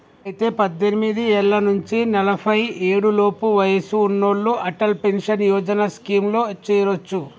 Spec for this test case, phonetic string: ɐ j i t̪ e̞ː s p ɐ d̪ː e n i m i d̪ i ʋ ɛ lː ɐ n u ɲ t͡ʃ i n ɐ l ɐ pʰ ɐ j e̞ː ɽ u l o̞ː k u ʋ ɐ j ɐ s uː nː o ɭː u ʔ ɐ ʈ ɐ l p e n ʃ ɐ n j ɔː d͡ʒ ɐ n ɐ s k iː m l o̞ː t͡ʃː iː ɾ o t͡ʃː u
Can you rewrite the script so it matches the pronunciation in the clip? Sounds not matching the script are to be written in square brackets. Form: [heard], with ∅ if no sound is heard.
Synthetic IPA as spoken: ɐ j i t̪ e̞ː [∅] p ɐ d̪ː e n i m i d̪ i [∅] ɛ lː ɐ n u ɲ t͡ʃ i n ɐ l ɐ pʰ ɐ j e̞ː ɽ u l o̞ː [p] u ʋ ɐ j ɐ s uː nː o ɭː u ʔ ɐ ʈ ɐ l p e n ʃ ɐ n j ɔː d͡ʒ ɐ n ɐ s k iː m l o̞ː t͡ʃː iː ɾ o t͡ʃː u